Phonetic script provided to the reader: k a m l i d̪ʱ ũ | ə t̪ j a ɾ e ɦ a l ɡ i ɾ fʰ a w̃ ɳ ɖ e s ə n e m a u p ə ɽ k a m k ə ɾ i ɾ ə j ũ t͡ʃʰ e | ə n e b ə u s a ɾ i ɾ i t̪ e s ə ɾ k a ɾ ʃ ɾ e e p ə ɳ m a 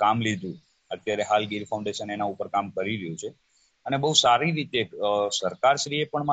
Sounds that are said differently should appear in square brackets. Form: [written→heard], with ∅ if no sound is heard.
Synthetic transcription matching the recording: k a m l i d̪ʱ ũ | ə t̪ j a ɾ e ɦ a l ɡ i ɾ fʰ a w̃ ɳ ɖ e [s→ʃ] ə n e [m→n] a u p ə [ɽ→ɾ] k a m k ə ɾ i ɾ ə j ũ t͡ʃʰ e | ə n e b ə u s a ɾ i ɾ i t̪ e s ə ɾ k a ɾ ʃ ɾ [e→i] e p ə ɳ m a